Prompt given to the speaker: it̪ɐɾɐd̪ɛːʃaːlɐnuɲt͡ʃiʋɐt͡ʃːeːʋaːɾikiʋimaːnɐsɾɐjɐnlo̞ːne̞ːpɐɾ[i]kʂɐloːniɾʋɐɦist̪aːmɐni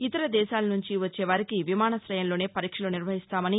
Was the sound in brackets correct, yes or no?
no